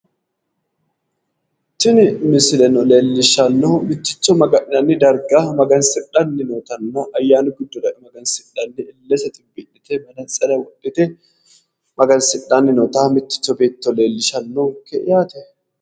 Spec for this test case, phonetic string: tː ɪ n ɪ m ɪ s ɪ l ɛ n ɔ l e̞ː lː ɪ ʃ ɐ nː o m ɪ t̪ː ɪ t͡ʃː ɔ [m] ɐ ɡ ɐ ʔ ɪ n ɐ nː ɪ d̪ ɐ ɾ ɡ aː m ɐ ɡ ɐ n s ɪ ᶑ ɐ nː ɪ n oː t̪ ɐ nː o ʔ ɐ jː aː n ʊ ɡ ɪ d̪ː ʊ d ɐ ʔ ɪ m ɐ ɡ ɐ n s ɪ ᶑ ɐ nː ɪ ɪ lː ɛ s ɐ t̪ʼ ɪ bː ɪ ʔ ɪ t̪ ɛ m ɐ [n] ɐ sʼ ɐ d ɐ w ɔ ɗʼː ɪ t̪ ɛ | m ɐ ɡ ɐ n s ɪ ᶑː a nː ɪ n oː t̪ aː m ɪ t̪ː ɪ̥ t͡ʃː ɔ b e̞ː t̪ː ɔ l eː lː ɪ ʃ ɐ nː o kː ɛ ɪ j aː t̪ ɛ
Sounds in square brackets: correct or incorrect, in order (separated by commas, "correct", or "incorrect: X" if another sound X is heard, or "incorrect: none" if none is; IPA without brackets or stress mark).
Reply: correct, correct